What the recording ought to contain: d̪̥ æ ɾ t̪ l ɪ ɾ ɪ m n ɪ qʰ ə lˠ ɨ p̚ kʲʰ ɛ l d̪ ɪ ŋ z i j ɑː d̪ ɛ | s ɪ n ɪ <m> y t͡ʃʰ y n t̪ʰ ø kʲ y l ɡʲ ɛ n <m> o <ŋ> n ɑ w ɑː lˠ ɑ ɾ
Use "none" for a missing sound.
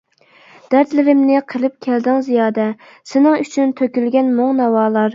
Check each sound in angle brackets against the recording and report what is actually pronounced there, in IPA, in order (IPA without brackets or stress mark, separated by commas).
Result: ŋ, m, ŋ